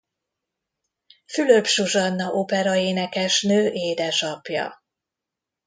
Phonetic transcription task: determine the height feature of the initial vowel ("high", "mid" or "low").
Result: high